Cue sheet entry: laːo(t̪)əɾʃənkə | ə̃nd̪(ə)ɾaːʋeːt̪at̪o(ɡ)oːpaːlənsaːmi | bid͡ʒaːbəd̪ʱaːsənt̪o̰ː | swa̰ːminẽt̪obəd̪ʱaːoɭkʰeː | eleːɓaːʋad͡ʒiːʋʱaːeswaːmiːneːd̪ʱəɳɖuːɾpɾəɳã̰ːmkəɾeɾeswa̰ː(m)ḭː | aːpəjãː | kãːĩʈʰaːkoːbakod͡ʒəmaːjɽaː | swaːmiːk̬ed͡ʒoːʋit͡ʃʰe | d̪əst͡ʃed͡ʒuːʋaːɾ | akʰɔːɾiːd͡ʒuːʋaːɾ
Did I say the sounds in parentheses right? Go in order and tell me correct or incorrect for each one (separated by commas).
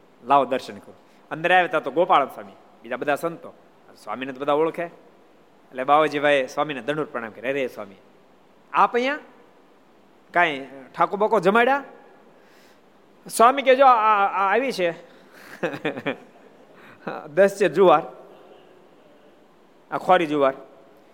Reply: incorrect, correct, correct, correct